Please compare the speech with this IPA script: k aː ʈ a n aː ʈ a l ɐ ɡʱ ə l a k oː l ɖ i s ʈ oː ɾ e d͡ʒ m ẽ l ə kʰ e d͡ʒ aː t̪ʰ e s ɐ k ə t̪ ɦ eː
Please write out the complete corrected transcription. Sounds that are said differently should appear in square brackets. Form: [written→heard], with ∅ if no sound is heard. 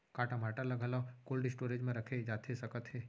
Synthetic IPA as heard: k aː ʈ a [n→m] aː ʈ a l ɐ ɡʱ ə l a k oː l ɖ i s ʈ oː ɾ e d͡ʒ m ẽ [l→ɾ] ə kʰ e d͡ʒ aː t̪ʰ e s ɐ k ə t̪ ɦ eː